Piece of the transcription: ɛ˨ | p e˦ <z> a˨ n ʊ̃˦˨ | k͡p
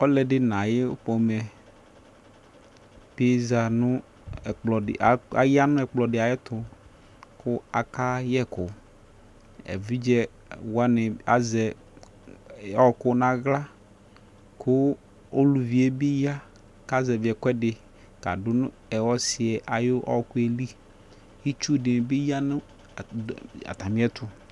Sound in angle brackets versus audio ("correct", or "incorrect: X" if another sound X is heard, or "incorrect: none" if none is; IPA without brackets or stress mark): correct